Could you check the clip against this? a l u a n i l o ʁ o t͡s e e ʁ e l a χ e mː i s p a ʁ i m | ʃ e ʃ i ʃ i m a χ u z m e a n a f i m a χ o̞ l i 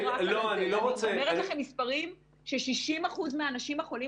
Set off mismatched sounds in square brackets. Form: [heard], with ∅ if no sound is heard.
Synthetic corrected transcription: a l [o] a n i l o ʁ o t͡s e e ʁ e l a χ e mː i s p a ʁ i m | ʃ e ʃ i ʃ i m a χ u z m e a n a [ʃ] i m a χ o̞ l i